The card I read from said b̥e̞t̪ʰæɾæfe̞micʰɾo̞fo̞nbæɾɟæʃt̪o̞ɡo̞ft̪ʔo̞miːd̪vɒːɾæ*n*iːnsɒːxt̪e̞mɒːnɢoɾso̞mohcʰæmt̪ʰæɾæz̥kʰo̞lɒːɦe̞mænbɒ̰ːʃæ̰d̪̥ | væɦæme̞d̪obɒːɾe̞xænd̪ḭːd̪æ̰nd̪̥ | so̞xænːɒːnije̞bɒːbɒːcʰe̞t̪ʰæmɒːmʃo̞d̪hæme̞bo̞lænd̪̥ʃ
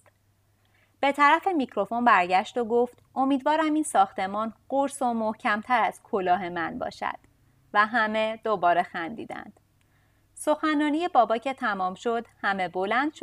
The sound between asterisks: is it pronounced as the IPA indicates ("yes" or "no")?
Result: no